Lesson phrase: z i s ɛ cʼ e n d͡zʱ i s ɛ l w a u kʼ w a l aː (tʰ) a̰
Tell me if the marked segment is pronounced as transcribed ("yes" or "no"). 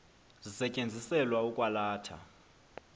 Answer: yes